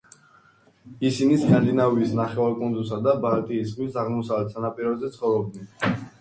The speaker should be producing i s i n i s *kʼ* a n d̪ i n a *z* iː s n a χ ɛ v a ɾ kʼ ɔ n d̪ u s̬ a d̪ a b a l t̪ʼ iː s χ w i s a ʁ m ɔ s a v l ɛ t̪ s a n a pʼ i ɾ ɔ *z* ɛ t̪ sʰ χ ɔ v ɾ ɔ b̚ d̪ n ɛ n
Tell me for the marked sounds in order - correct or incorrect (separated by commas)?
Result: correct, incorrect, correct